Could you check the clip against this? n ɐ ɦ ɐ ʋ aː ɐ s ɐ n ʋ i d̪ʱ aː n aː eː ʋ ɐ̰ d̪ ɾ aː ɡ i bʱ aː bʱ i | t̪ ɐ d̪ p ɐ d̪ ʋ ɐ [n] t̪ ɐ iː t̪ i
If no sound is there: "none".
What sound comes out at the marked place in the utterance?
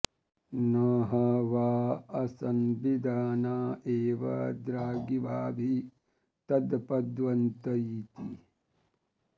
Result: n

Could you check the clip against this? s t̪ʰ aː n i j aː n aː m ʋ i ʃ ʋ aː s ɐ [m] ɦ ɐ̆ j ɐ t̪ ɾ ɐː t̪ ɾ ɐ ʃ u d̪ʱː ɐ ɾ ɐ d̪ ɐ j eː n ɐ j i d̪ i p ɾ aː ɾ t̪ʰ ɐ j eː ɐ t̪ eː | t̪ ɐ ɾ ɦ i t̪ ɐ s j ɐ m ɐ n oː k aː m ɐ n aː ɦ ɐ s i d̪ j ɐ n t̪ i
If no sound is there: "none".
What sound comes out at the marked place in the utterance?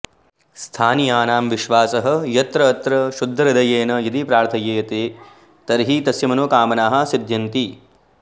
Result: none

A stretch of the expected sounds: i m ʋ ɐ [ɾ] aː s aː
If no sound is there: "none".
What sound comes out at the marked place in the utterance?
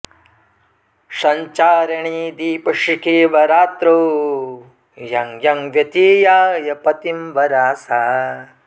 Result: ɾ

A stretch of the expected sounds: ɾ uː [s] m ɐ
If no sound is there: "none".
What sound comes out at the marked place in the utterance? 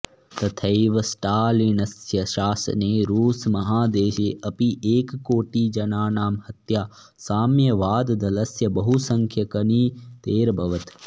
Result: s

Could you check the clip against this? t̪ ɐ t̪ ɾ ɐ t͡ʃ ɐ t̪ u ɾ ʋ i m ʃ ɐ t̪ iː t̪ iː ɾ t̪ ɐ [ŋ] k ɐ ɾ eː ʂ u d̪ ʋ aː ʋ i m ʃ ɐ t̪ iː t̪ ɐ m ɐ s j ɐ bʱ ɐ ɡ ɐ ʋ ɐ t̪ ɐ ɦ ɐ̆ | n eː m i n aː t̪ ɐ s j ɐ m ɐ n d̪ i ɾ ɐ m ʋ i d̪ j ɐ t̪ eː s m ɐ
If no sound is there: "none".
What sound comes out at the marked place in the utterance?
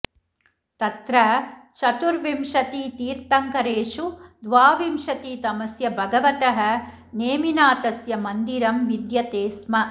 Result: ŋ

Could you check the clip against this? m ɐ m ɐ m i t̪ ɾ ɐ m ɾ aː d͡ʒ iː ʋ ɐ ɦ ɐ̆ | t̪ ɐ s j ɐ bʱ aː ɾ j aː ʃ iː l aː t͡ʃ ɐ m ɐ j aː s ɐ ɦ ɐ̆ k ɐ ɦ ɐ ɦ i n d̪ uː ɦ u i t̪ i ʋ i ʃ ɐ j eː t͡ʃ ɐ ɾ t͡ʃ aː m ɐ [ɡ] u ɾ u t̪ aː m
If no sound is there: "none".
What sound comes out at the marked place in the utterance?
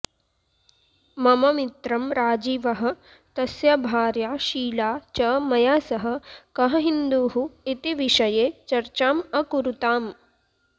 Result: k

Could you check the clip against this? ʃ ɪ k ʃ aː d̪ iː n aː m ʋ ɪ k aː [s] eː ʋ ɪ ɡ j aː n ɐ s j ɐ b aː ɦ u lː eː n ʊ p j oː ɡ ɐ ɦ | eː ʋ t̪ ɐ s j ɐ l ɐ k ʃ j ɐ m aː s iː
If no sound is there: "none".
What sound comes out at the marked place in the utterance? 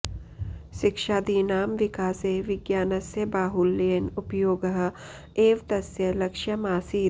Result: s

